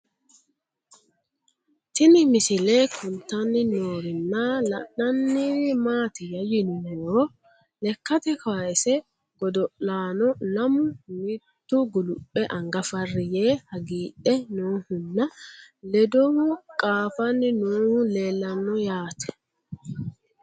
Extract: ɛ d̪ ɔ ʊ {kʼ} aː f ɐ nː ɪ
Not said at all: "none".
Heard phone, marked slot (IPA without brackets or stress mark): kʼ